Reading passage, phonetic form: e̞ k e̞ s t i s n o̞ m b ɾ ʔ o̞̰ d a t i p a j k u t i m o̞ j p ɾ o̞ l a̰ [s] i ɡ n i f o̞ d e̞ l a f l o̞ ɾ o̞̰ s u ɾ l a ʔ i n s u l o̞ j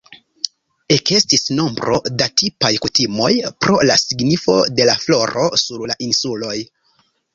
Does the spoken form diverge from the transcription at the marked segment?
no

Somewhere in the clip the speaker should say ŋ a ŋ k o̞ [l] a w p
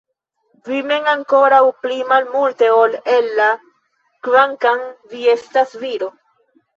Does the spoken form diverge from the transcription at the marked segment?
yes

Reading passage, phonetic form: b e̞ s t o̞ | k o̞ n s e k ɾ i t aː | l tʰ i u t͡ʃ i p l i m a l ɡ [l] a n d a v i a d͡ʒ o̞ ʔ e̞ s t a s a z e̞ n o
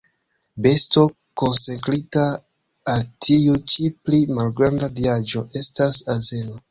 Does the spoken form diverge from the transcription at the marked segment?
yes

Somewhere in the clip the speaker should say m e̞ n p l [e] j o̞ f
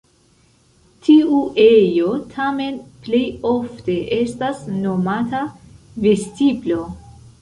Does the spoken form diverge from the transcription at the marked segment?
no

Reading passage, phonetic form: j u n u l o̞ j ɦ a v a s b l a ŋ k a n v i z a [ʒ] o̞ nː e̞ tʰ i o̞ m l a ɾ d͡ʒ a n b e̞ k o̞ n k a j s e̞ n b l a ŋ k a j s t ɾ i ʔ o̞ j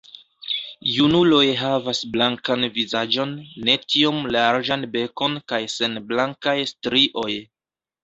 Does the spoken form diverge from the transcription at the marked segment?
yes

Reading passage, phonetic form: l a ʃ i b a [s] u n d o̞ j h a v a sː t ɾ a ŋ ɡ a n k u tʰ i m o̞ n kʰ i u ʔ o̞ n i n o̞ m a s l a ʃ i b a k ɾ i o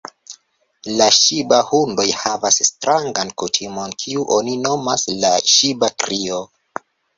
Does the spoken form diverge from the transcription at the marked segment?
yes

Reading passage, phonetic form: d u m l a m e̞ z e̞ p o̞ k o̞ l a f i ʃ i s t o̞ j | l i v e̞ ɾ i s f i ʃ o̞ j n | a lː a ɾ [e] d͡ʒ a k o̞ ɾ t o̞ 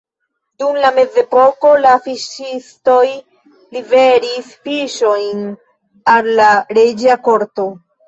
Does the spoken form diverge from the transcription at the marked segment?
no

